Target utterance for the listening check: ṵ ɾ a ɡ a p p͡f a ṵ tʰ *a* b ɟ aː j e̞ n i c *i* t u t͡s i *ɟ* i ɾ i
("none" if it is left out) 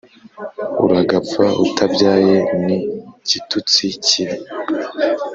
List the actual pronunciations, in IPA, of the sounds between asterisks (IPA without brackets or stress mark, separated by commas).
a, i, c